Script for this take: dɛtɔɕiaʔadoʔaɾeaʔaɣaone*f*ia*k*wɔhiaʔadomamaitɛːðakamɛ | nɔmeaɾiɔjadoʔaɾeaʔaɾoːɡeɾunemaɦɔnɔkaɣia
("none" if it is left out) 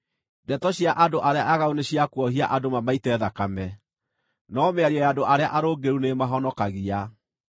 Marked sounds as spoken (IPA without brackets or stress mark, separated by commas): ɕ, k